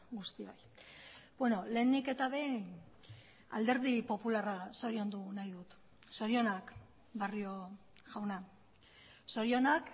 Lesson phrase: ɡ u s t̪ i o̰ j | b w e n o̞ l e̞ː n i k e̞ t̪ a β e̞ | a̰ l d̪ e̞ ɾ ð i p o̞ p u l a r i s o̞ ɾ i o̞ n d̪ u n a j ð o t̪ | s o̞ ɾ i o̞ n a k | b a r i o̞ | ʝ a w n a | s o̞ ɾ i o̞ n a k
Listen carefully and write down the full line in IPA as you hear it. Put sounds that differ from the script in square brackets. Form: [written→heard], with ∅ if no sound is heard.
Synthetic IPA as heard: ɡ u s t̪ i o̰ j | b w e n o̞ l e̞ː n i k e̞ t̪ a β e̞ | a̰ l d̪ e̞ ɾ ð i p o̞ p u l a r [i→a] s o̞ ɾ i o̞ n d̪ u n a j ð [o→u] t̪ | s o̞ ɾ i o̞ n a k | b a r i o̞ | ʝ a w n a | s o̞ ɾ i o̞ n a k